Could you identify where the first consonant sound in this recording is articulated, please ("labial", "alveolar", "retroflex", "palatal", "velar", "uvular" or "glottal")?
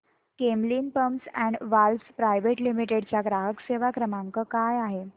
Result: velar